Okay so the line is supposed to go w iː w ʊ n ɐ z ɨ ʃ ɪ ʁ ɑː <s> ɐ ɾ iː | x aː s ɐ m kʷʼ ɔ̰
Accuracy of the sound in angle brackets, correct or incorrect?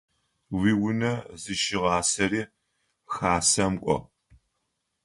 correct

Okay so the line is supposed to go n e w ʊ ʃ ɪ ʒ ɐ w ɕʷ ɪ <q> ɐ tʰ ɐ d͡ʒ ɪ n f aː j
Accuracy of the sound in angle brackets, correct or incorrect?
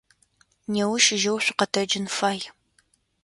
correct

